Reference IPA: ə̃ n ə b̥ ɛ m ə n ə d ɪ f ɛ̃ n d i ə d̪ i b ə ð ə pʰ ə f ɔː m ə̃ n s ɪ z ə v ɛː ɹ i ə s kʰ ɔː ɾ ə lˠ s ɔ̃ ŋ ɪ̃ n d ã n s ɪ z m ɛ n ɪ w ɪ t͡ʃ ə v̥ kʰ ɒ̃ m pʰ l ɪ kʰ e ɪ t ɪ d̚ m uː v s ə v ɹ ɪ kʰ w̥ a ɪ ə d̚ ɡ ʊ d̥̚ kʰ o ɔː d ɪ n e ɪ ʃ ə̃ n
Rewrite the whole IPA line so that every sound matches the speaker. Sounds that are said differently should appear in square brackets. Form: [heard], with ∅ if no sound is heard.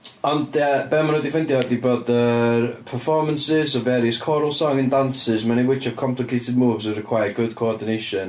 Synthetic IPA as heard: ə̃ n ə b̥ ɛ m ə n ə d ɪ f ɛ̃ n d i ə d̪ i b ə ð ə pʰ ə f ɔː m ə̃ n s ɪ z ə v ɛː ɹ i ə s kʰ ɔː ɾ ə lˠ s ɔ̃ ŋ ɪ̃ n d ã n s ɪ z m ɛ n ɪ w ɪ t͡ʃ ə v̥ kʰ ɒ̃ m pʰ l ɪ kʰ e ɪ t ɪ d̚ m uː v [z] ə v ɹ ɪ kʰ w̥ a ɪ ə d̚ ɡ ʊ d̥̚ kʰ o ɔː d ɪ n e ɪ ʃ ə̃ n